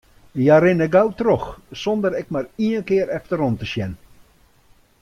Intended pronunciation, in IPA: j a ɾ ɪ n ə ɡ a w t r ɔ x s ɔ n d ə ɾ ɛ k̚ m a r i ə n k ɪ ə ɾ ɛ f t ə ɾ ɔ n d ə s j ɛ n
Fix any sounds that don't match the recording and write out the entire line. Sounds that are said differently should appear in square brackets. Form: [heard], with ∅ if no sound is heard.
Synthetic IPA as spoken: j a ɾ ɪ n ə ɡ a w t r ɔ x s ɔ n d ə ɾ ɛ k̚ m a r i ə n k ɪ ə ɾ ɛ f t ə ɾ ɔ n [t] ə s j ɛ n